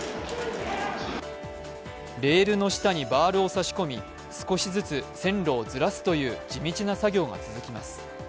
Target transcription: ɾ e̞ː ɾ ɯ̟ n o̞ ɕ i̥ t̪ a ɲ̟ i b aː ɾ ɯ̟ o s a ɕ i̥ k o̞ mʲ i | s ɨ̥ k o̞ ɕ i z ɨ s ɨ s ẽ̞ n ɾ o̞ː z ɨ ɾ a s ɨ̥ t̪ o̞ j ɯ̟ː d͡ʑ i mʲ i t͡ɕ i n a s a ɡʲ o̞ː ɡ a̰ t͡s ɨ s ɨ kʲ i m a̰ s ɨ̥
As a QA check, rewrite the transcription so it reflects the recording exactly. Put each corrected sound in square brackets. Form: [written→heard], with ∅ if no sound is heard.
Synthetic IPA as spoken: ɾ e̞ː ɾ ɯ̟ n o̞ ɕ i̥ t̪ a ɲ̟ i b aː ɾ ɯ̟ o s a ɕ i̥ k o̞ mʲ i | s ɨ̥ k o̞ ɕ i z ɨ [s→t͡s] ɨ s ẽ̞ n ɾ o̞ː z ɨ ɾ a s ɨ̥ t̪ o̞ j ɯ̟ː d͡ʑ i mʲ i t͡ɕ i n a s a ɡʲ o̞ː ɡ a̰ t͡s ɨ [s→z] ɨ kʲ i m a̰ s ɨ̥